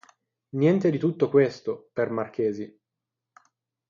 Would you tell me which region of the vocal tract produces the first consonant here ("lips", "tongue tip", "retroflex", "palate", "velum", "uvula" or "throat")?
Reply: tongue tip